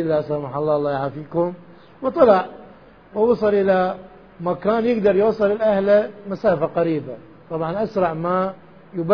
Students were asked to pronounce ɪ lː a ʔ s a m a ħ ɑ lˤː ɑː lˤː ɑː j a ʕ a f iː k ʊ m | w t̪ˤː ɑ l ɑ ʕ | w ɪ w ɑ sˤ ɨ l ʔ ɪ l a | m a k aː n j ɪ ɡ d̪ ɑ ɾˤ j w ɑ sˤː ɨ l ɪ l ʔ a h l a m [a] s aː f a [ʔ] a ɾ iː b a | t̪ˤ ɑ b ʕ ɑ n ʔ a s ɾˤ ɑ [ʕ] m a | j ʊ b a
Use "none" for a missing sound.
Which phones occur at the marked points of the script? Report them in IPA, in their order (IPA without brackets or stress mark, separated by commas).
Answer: a, q, ʕ